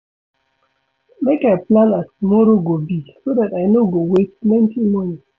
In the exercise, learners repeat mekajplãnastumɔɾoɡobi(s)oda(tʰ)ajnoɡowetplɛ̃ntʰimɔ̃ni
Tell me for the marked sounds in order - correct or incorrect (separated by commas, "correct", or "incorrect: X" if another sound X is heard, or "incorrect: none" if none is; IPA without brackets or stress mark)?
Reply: correct, incorrect: t